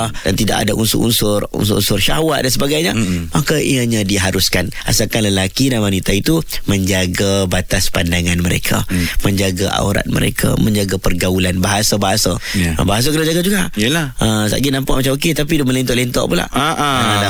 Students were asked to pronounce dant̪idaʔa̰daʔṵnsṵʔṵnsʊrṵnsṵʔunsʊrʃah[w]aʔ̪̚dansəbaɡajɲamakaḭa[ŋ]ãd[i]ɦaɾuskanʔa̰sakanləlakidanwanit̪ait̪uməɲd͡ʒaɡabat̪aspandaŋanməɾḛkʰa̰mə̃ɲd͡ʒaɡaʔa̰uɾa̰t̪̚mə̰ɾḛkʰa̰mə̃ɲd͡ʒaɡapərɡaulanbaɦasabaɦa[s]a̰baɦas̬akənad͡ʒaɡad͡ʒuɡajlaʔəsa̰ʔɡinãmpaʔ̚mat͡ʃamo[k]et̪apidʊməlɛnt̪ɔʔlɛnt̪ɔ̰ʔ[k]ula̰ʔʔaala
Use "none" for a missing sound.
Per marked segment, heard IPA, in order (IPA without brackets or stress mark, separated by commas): w, ɲ, i, s, k, p